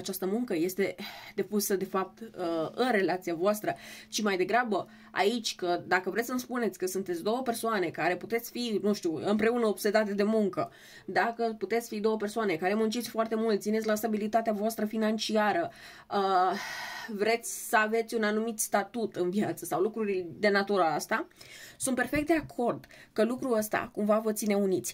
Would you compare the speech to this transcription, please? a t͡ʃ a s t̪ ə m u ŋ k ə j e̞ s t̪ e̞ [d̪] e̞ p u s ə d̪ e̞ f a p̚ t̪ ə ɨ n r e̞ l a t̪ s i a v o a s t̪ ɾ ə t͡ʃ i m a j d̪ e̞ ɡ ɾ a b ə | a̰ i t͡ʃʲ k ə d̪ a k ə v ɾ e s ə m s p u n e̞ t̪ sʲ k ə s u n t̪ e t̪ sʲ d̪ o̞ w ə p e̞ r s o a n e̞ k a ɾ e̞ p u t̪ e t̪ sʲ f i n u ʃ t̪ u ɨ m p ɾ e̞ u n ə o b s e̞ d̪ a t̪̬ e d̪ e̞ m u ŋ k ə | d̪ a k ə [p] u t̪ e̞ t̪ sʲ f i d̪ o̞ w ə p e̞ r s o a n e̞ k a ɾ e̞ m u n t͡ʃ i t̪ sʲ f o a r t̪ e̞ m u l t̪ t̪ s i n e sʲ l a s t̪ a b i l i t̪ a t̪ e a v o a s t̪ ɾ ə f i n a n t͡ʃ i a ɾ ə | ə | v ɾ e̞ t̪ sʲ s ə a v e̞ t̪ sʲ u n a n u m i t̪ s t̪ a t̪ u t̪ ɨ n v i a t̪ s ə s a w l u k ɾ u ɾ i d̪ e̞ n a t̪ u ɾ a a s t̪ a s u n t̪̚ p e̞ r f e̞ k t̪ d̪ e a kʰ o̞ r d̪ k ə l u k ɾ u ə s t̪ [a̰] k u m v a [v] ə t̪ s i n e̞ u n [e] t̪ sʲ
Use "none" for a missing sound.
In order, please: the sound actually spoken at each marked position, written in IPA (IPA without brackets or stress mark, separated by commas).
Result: d̪, p, a̰, v, i